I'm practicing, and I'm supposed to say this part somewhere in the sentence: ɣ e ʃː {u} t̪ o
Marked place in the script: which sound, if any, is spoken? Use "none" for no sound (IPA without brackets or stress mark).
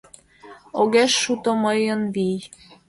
u